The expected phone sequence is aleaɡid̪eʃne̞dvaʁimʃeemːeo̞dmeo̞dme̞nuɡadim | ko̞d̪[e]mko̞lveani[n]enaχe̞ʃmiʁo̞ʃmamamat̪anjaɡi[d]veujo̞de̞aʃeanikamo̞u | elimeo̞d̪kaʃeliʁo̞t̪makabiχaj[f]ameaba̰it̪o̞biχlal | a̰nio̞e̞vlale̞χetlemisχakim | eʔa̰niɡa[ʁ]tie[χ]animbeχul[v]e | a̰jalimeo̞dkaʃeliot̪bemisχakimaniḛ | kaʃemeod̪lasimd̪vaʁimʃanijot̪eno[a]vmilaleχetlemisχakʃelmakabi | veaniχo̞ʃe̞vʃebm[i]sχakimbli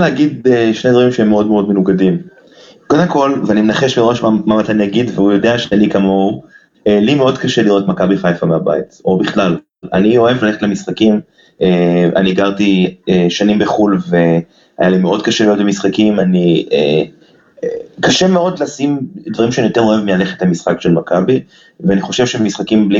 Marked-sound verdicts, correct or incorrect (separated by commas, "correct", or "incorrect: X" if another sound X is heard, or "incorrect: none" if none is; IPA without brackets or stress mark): correct, incorrect: m, correct, correct, correct, incorrect: ʃ, correct, incorrect: e, correct